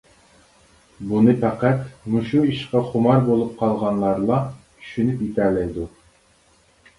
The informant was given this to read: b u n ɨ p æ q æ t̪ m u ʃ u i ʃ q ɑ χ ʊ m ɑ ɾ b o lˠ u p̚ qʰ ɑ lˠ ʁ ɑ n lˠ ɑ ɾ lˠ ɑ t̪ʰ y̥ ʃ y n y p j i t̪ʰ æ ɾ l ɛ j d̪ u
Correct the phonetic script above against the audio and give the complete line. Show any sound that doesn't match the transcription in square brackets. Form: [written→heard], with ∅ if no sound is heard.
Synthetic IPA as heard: b u n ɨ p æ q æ t̪ m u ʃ u i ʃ q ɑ χ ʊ m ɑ ɾ b o lˠ u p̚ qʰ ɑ lˠ ʁ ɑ n lˠ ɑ ɾ lˠ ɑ t̪ʰ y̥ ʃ y n y p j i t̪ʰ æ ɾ l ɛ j d̪ u